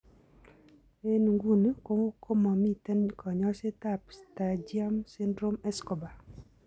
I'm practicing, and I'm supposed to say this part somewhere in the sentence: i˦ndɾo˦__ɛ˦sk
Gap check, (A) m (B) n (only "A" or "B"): A